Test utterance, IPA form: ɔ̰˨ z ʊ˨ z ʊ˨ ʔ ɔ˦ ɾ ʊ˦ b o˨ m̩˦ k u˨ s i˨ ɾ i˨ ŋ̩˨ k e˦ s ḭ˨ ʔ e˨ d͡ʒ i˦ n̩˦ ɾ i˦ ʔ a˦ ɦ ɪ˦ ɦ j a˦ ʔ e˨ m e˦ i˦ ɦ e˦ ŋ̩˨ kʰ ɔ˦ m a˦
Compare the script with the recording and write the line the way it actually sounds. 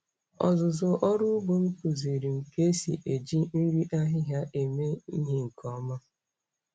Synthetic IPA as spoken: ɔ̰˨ z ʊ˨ z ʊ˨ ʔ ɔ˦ ɾ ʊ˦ b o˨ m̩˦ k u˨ z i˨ ɾ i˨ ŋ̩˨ k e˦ s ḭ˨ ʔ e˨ d͡ʒ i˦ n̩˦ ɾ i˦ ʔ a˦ ɦ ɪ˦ ɦ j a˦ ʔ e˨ m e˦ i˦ ɦ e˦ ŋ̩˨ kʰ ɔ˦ m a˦

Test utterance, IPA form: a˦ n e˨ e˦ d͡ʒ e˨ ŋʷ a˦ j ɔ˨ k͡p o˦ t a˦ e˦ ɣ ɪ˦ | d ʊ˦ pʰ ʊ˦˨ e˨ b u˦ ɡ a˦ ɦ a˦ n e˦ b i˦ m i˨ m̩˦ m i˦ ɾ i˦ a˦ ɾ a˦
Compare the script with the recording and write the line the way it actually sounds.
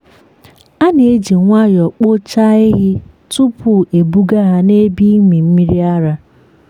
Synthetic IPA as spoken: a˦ n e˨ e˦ d͡ʒ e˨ ŋʷ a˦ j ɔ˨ k͡p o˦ t͡ʃ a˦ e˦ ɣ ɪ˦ | t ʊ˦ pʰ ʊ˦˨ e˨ b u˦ ɡ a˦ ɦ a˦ n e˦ b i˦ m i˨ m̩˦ m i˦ ɾ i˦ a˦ ɾ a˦

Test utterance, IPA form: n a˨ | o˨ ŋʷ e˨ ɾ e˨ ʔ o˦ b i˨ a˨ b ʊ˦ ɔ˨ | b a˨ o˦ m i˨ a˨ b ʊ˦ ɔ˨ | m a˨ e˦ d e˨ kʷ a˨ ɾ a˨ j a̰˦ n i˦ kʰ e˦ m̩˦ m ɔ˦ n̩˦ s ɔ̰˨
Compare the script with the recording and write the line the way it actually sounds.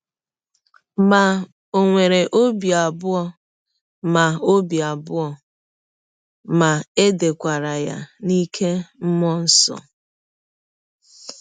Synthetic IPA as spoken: m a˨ | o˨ ŋʷ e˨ ɾ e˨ ʔ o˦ b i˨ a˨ b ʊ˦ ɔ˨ | m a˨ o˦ b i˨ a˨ b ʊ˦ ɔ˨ | m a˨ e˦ d e˨ kʷ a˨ ɾ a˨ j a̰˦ n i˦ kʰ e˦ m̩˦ m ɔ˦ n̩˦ s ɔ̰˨

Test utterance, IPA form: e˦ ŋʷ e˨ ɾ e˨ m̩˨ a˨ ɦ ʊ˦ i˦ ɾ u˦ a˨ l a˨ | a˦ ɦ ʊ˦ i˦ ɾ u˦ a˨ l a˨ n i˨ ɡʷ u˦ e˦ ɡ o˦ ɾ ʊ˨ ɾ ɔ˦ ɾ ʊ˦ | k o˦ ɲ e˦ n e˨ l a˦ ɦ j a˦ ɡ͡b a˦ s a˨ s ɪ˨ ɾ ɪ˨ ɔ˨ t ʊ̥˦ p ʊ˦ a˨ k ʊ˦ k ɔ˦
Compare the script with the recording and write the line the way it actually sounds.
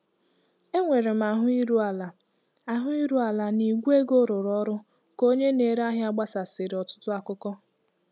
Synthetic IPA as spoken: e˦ ŋʷ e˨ ɾ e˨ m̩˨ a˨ ɦ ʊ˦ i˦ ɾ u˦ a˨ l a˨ | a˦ ɦ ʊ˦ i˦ ɾ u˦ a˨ l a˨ n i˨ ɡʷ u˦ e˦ ɡ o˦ ɾ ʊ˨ ɾ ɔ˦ ɾ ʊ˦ | k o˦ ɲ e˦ n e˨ ɾ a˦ ɦ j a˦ ɡ͡b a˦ s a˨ s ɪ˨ ɾ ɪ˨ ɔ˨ t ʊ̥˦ t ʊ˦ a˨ k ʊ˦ k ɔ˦

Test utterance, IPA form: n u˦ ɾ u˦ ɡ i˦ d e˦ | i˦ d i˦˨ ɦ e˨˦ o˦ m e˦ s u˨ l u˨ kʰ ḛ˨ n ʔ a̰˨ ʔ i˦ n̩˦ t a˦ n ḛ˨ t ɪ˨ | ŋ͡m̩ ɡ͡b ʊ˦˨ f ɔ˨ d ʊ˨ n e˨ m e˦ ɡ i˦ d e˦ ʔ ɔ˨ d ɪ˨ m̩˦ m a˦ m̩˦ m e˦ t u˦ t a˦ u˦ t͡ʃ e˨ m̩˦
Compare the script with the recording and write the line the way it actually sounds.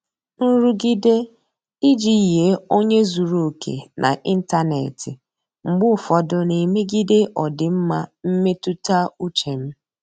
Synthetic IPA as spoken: n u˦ ɾ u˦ ɡ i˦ d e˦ | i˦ d͡ʒ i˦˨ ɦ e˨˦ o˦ ɲ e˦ z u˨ ɾ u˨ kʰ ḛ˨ n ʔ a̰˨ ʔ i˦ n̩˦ t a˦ n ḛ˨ t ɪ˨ | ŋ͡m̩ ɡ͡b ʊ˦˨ f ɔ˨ d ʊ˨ n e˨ m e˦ ɡ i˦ d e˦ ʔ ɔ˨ d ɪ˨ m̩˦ m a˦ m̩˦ m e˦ t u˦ t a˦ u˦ t͡ʃ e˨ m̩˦

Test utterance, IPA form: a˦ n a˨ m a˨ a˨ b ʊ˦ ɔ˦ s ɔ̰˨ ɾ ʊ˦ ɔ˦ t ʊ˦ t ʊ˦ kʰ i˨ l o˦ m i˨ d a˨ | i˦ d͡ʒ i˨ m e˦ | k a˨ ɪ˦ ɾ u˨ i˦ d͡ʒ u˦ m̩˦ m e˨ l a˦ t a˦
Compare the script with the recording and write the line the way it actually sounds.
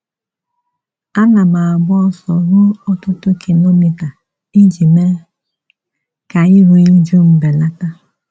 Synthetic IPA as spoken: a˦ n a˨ m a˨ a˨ b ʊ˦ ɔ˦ s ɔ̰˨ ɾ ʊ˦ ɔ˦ t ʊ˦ t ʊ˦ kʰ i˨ l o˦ m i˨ t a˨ | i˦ d͡ʒ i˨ m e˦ | k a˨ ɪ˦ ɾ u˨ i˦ d͡ʒ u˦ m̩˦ b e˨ l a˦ t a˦

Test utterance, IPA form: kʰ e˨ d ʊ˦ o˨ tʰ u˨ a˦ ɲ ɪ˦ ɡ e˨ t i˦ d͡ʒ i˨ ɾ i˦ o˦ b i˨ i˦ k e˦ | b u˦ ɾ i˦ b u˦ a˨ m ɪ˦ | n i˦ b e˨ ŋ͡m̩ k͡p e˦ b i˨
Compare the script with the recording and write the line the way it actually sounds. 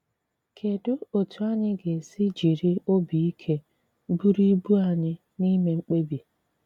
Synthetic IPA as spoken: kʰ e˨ d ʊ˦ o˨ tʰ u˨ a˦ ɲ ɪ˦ ɡ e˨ s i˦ d͡ʒ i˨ ɾ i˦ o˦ b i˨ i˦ kʰ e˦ | b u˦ ɾ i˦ b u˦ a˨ ɲ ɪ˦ | n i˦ m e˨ ŋ͡m̩ k͡p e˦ b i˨

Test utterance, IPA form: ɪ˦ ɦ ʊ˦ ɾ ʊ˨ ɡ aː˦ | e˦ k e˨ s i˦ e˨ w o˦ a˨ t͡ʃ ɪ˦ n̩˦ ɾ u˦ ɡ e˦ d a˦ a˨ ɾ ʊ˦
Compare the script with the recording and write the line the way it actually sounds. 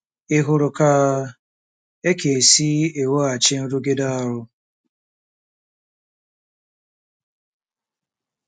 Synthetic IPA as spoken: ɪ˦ ɦ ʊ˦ ɾ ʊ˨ k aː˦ | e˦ k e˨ s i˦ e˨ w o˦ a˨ t͡ʃ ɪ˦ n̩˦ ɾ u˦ ɡ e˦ d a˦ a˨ ɾ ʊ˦

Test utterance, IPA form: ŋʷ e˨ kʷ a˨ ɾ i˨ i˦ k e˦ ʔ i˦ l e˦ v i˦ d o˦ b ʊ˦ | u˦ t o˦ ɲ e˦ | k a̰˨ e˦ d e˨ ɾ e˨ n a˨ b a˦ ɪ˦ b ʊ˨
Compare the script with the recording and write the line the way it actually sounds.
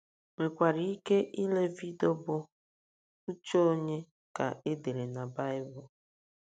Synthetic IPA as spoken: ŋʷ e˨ kʷ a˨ ɾ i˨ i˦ k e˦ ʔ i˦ l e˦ v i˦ d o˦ b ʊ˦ | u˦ t͡ʃ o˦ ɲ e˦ | k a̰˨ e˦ d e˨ ɾ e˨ n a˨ b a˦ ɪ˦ b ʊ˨

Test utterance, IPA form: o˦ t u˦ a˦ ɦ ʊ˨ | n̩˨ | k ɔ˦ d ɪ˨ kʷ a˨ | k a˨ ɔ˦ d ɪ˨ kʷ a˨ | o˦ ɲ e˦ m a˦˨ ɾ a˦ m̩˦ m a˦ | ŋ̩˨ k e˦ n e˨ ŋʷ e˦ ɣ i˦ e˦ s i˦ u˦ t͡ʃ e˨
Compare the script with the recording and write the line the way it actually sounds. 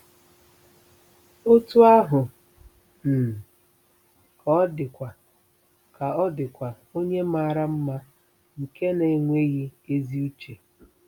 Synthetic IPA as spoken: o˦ t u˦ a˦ ɦ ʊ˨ | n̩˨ | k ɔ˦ d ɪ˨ kʷ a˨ | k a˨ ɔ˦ d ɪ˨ kʷ a˨ | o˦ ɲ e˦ m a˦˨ ɾ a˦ m̩˦ m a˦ | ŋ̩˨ k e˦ n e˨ ŋʷ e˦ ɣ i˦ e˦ z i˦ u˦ t͡ʃ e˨

